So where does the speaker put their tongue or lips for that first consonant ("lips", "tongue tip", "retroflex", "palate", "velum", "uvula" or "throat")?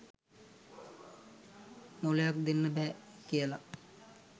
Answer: lips